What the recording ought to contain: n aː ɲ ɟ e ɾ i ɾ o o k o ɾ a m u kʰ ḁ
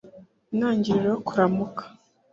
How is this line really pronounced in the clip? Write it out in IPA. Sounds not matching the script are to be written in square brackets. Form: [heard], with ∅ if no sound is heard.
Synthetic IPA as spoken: n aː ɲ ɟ [i] ɾ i ɾ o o k [u] ɾ a m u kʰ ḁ